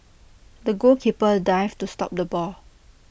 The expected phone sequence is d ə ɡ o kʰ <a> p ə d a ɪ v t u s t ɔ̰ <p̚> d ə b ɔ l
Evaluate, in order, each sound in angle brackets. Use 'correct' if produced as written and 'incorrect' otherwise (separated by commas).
incorrect, correct